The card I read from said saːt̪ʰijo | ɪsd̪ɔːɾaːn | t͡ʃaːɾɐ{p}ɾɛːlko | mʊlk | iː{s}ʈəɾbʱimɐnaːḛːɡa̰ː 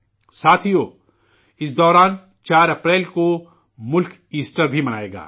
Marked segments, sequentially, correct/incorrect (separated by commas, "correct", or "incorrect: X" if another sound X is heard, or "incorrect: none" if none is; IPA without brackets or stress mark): correct, correct